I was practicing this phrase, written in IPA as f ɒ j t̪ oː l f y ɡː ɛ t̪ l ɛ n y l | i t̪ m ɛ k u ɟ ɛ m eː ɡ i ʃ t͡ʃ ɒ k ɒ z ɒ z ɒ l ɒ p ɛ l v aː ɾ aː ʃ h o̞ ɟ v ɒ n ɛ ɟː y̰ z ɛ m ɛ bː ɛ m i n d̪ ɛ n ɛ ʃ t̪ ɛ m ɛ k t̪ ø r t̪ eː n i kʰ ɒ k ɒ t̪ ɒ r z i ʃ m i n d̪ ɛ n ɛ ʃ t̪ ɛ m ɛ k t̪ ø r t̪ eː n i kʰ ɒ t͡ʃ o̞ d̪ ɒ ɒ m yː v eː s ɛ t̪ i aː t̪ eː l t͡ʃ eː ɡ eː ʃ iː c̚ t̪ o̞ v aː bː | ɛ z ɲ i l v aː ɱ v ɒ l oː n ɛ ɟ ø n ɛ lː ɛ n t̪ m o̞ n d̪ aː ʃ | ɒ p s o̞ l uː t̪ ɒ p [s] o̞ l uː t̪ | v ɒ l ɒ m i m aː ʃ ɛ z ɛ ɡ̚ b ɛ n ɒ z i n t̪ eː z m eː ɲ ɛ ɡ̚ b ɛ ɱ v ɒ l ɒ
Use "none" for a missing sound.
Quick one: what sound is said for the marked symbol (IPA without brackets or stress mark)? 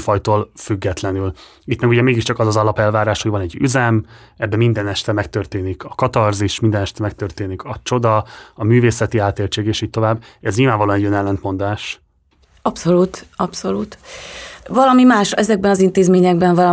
s